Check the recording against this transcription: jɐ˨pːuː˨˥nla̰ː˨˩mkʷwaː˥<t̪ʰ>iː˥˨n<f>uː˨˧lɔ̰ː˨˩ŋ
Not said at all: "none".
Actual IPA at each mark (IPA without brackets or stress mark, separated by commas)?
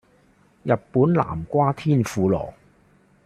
t̪ʰ, f